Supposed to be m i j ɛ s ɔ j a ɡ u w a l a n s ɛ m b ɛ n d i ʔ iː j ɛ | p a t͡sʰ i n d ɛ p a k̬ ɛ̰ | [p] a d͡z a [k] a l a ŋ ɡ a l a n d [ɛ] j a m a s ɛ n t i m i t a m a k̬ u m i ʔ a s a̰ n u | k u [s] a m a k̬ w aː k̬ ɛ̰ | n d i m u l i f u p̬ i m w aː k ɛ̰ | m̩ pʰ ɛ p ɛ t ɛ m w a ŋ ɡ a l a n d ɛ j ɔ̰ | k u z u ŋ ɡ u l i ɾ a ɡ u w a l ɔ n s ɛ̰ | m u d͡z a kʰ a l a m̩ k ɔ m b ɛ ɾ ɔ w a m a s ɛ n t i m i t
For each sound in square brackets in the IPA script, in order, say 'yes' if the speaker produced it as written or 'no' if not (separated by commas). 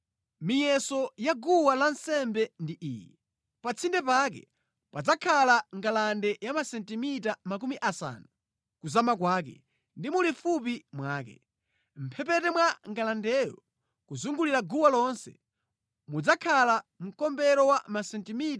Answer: yes, no, yes, no